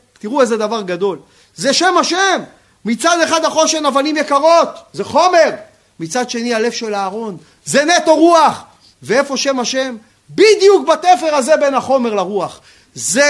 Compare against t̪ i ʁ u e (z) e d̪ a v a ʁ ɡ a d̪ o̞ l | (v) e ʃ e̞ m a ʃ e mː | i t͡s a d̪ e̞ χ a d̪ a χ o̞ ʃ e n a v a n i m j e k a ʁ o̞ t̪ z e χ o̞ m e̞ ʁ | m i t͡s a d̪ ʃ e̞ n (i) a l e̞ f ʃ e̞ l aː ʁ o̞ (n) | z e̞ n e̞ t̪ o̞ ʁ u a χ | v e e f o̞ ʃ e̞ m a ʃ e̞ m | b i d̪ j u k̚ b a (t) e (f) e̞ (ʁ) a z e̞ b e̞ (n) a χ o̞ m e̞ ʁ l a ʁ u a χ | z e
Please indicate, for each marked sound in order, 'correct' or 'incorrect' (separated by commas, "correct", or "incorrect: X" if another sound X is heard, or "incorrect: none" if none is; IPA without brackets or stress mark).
correct, incorrect: z, correct, correct, correct, correct, correct, correct